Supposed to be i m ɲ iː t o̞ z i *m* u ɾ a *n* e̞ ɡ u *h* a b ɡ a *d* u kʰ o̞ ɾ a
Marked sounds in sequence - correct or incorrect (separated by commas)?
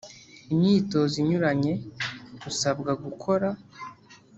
incorrect, incorrect, incorrect, incorrect